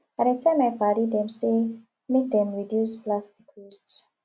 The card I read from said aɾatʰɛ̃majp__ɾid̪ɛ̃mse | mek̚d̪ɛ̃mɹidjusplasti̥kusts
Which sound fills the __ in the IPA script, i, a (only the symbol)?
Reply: a